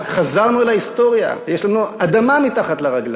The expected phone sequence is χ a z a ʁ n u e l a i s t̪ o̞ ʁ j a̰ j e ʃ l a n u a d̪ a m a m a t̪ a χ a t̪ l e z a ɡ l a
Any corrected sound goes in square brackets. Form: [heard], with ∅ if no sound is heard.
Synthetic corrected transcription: χ a z a ʁ n u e l a i s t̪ o̞ ʁ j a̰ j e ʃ l a n u a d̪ a m a m [i] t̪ a χ a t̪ l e [ʁ] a ɡ l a